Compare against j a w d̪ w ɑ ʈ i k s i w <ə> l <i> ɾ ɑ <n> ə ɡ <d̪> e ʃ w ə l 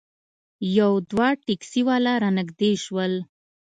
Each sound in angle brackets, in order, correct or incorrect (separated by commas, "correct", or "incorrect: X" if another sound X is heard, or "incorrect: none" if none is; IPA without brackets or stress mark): incorrect: ɑ, incorrect: a, correct, correct